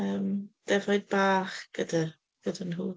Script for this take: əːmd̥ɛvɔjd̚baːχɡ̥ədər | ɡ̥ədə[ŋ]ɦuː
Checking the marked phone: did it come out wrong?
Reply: yes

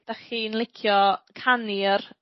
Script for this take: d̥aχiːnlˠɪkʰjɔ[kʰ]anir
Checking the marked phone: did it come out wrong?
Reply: no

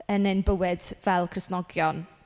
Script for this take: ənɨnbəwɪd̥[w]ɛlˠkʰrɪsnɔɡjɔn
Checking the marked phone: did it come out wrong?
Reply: yes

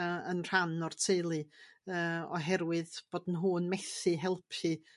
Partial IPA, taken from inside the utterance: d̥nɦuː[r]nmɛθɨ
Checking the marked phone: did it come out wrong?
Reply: yes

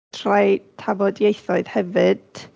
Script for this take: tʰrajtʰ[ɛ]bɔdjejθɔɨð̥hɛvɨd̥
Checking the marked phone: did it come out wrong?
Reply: yes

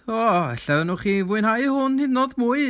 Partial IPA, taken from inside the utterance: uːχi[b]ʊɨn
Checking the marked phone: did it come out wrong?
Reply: yes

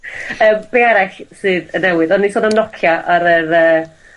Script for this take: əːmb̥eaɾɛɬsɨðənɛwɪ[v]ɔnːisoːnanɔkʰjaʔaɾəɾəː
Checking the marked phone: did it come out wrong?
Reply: yes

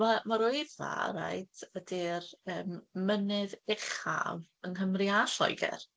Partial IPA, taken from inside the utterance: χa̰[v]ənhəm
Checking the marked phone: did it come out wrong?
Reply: no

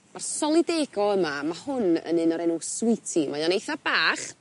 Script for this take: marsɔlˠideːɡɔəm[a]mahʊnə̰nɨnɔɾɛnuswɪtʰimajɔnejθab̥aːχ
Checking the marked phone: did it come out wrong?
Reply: no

